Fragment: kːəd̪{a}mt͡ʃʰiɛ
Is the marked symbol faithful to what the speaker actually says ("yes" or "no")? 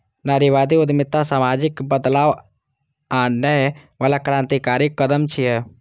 no